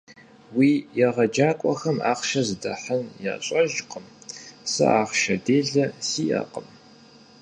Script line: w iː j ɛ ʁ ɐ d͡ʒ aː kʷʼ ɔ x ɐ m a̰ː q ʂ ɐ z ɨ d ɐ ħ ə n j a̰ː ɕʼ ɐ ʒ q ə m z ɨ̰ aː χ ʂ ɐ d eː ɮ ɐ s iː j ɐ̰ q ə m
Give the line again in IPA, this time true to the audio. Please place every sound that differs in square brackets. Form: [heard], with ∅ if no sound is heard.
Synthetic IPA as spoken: w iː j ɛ ʁ ɐ d͡ʒ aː kʷʼ ɔ x ɐ m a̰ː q [ʃ] ɐ z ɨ d ɐ ħ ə n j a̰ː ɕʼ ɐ ʒ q ə m [s] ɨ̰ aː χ [ʃ] ɐ d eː ɮ ɐ s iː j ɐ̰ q ə m

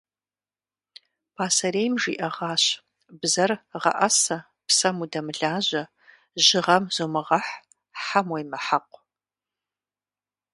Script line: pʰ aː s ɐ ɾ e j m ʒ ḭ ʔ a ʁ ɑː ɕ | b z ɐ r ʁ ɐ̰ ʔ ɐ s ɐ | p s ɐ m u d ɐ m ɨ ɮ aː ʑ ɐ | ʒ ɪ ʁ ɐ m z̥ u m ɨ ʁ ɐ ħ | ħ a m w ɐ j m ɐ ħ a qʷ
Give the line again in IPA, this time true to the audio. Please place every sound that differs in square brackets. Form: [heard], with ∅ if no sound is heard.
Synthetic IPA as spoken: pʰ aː s ɐ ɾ e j m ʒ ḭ ʔ [ɐ] ʁ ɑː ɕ | b z ɐ r ʁ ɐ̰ ʔ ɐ s ɐ | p s ɐ m u d ɐ m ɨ ɮ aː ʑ ɐ | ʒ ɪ ʁ ɐ m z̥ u m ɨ ʁ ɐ ħ | ħ a m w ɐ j m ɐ ħ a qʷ

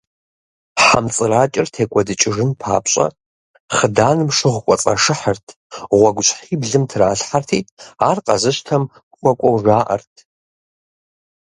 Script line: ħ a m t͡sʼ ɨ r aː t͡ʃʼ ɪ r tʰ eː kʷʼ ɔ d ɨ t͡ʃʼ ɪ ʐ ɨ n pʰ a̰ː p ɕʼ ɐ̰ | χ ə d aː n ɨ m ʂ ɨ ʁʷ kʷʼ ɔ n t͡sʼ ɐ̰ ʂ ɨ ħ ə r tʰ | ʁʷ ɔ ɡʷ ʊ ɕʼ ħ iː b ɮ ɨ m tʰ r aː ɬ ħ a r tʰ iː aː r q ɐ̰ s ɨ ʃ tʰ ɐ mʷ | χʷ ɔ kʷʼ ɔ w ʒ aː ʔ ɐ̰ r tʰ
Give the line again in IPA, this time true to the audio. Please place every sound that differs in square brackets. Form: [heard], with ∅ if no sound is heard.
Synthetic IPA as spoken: ħ a m t͡sʼ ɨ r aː t͡ʃʼ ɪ r tʰ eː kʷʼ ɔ d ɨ t͡ʃʼ ɪ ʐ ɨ n pʰ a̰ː p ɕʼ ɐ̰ | χ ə d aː n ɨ m ʂ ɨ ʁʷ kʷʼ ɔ [∅] t͡sʼ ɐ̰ ʂ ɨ ħ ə r tʰ | ʁʷ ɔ ɡʷ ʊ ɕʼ ħ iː b ɮ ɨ m tʰ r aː ɬ ħ a r tʰ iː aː r q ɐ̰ [z] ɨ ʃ tʰ ɐ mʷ | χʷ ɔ kʷʼ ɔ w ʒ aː ʔ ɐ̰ r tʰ

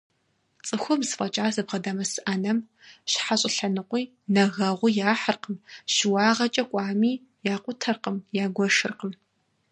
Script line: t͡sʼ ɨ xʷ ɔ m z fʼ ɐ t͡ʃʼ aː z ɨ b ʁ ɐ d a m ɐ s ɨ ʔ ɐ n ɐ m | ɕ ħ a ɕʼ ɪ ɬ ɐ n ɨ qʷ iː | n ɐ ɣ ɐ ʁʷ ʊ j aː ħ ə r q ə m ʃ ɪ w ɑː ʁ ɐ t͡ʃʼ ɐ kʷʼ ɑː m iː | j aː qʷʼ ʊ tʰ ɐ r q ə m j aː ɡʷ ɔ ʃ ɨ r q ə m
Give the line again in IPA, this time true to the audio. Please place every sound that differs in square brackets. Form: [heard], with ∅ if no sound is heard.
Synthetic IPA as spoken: t͡sʼ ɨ xʷ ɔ m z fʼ ɐ t͡ʃʼ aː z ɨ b ʁ ɐ d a m ɐ s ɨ ʔ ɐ n ɐ m | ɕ ħ a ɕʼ ɪ ɬ ɐ n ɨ qʷ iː | n ɐ ɣ ɐ ʁʷ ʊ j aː ħ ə r q ə m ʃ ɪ w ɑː ʁ ɐ t͡ʃʼ ɐ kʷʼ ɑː m iː | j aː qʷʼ ʊ tʰ ɐ r q ə m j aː ɡʷ ɔ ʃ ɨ r q ə m

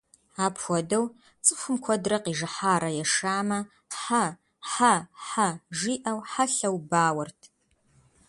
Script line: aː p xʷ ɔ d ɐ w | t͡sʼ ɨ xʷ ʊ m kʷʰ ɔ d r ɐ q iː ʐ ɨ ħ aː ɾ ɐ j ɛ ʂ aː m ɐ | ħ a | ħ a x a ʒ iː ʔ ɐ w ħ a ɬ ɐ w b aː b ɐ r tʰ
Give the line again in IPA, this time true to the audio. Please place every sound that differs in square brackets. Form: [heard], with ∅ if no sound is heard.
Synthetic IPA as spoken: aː p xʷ ɔ d ɐ w | t͡sʼ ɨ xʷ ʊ m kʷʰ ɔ d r ɐ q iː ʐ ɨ ħ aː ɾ ɐ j ɛ ʂ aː m ɐ | ħ a | ħ a [ħ] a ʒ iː ʔ ɐ w ħ a ɬ ɐ w b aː [w] ɐ r tʰ

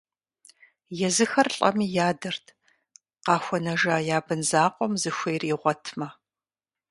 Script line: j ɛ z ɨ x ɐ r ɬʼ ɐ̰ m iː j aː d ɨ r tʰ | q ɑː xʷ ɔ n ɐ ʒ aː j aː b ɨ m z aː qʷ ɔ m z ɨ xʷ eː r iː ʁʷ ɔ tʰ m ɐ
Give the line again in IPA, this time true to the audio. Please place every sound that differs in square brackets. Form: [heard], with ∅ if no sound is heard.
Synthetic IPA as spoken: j ɛ z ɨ x ɐ r ɬʼ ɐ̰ m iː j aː d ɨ r tʰ | q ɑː xʷ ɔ n ɐ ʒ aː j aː b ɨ [n] z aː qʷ ɔ m z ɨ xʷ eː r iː ʁʷ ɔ tʰ m ɐ

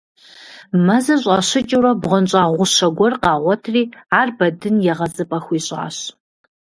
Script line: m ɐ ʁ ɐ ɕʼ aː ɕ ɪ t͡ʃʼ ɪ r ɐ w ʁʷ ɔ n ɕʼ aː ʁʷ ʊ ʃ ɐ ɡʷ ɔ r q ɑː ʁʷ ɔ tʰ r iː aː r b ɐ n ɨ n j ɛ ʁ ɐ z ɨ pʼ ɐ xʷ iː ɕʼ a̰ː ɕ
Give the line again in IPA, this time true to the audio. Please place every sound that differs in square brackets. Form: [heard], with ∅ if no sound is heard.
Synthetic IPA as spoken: m ɐ [z] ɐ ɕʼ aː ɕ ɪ t͡ʃʼ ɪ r ɐ [b] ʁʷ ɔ n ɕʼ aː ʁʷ ʊ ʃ ɐ ɡʷ ɔ r q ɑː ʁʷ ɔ tʰ r iː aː r b ɐ [d] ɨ n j ɛ ʁ ɐ z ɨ pʼ ɐ xʷ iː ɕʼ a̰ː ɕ

